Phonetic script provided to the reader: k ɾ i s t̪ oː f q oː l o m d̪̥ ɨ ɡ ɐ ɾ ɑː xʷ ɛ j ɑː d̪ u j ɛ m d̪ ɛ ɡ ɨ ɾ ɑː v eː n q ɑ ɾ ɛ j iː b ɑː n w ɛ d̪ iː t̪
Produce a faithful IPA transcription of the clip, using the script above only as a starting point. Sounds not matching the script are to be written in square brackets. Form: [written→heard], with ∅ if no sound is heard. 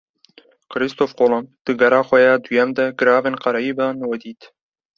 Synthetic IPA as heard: k ɾ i s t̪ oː f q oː l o m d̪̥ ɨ ɡ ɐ ɾ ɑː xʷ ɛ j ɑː d̪ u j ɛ m d̪ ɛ ɡ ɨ ɾ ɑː v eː n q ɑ ɾ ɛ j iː b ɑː n w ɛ d̪ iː t̪